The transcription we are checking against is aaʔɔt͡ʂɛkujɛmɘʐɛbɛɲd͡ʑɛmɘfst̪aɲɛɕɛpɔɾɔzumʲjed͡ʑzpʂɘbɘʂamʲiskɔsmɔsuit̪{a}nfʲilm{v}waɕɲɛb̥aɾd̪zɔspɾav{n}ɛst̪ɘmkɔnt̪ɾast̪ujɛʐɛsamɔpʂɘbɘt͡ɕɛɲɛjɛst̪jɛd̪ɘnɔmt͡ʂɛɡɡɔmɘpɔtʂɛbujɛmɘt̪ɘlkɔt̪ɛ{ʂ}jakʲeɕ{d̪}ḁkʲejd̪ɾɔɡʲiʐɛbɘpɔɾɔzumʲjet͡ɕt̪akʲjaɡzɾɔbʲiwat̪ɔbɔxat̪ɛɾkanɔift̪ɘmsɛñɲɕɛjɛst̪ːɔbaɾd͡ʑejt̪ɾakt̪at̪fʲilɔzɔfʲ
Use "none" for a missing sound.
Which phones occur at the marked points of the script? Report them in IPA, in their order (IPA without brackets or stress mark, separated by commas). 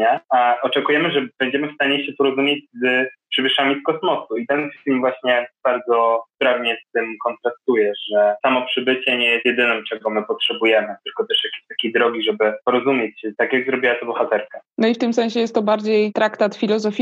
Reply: ɛ, v, ɲ, ʂ, t̪